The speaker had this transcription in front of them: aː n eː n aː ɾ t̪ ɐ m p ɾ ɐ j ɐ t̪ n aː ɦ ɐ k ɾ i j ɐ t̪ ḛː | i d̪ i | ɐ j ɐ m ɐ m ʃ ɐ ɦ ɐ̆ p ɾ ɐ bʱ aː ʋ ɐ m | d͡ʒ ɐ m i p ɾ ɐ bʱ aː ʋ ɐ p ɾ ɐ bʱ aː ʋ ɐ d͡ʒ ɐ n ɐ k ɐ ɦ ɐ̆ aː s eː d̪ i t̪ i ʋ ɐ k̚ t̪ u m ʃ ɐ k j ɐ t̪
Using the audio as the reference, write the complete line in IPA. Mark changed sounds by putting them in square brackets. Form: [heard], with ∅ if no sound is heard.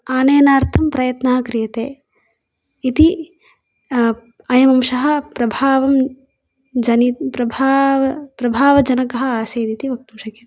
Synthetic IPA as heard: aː n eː n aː ɾ [t̪ʰ] ɐ m p ɾ ɐ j ɐ t̪ n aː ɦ ɐ k ɾ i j ɐ t̪ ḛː | i [t̪] i | ɐ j ɐ m ɐ m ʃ ɐ ɦ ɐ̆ p ɾ ɐ bʱ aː ʋ ɐ m | d͡ʒ ɐ [n] i p ɾ ɐ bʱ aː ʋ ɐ p ɾ ɐ bʱ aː ʋ ɐ d͡ʒ ɐ n ɐ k ɐ ɦ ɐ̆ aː s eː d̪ i t̪ i ʋ ɐ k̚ t̪ u m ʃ ɐ k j ɐ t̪